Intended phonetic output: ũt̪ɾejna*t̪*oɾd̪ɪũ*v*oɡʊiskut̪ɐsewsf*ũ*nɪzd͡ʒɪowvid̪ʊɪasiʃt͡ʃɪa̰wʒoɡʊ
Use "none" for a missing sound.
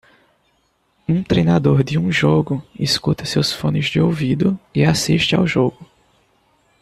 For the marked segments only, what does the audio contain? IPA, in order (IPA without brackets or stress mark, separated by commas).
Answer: d̪, ʒ, õ